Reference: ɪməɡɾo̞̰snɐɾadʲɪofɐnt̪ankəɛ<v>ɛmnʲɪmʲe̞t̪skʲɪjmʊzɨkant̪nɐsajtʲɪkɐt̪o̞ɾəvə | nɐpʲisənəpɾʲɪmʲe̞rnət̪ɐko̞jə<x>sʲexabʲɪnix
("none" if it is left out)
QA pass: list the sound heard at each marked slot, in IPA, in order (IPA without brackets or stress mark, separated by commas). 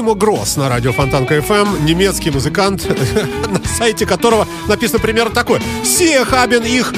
f, f